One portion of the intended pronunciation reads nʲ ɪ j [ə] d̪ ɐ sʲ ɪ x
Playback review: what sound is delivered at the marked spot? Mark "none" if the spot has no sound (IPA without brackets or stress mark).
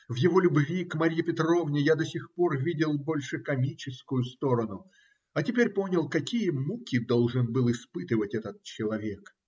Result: a